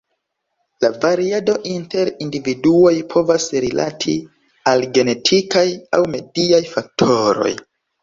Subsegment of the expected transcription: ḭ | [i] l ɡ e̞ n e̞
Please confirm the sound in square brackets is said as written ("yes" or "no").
no